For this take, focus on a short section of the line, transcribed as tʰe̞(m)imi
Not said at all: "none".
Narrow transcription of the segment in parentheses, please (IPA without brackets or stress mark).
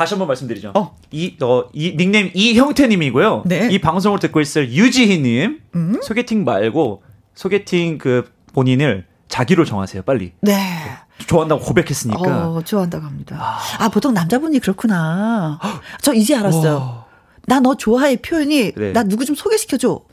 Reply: ɲ